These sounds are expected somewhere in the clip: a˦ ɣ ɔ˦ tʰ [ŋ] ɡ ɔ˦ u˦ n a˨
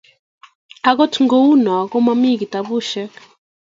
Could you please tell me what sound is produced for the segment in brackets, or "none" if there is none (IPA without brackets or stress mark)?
ŋ